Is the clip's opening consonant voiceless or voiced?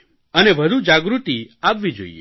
voiced